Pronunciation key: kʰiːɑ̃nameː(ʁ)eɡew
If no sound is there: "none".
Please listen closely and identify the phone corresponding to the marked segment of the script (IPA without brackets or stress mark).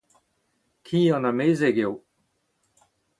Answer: z